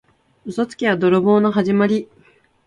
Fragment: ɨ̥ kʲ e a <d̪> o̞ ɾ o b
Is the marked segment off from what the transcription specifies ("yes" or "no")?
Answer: no